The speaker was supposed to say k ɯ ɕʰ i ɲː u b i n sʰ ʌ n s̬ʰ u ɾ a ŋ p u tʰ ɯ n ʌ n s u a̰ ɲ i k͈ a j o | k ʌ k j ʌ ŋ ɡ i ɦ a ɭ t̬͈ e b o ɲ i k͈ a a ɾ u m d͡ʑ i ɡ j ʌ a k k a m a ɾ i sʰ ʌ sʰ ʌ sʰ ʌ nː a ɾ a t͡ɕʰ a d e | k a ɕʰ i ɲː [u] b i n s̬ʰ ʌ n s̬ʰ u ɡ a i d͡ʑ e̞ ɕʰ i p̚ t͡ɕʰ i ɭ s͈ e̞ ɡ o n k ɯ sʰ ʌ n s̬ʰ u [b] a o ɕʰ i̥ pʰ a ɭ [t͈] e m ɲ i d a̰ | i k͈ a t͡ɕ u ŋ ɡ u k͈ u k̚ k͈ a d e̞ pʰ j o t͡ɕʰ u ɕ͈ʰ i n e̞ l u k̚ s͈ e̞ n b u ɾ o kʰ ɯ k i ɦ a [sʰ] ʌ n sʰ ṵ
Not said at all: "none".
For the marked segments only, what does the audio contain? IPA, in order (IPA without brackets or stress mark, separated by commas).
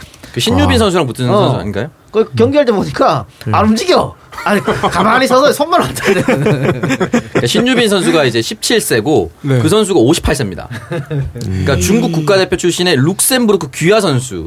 u, ɡ, s͈, sʰ